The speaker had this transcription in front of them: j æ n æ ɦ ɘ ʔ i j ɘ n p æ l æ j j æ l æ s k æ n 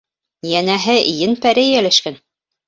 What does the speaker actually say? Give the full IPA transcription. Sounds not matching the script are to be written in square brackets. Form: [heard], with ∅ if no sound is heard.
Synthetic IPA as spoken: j æ n æ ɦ ɘ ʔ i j ɘ n p æ [ɾ] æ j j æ l æ [ʃ] k æ n